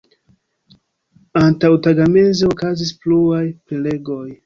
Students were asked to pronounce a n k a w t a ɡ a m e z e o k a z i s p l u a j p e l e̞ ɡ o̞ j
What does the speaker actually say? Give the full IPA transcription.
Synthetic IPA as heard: a n t a w t a ɡ a m e z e o k a z i s p l u a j p e l e̞ ɡ o̞ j